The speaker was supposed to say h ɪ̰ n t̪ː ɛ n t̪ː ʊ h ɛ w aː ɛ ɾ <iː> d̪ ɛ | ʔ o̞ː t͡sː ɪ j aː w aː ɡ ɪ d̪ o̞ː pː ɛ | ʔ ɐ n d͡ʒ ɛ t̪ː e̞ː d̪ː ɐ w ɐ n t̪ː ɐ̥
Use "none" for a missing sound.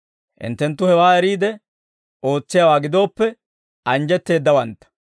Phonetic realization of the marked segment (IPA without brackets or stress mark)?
iː